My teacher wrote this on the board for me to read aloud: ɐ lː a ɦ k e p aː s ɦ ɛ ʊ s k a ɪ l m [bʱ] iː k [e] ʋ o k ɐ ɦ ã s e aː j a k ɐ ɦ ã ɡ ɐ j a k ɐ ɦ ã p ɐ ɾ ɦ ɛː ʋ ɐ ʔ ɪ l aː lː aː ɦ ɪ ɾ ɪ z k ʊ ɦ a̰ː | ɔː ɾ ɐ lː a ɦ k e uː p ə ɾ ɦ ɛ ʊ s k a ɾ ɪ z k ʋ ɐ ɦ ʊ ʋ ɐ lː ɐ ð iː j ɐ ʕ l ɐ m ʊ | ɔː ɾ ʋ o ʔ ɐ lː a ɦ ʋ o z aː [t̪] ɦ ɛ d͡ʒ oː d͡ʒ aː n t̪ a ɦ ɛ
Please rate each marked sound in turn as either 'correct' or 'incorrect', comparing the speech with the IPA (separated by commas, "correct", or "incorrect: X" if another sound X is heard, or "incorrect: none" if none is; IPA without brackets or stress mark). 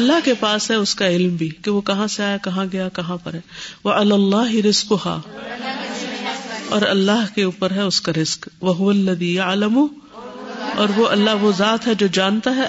correct, correct, correct